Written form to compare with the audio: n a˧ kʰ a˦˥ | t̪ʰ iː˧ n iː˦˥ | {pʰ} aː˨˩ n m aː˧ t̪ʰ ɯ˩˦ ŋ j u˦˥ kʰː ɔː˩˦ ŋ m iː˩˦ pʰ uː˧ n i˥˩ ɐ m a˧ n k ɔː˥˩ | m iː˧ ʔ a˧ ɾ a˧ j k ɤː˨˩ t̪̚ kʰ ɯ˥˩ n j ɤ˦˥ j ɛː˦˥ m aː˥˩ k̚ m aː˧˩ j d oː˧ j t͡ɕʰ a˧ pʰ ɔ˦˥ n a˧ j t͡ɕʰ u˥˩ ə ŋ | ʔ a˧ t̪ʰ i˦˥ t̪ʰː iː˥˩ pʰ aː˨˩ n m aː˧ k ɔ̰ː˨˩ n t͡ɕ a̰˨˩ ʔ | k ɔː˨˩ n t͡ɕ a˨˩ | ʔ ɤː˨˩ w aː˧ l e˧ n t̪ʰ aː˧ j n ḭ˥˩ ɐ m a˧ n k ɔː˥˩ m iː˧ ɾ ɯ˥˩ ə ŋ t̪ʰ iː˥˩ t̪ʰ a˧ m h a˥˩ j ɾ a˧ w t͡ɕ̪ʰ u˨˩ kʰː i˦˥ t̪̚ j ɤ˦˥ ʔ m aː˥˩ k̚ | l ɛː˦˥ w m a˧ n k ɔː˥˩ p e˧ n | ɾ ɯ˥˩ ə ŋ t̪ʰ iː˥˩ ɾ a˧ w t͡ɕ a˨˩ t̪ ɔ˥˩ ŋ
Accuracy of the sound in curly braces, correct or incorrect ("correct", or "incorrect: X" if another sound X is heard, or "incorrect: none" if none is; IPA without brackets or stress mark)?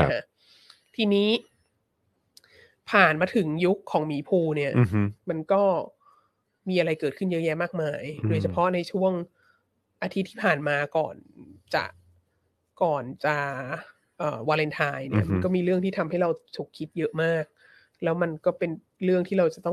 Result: correct